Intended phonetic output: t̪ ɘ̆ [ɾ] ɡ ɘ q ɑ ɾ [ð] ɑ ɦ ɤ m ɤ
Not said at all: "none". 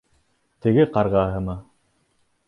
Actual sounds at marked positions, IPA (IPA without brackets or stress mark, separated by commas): none, ʁ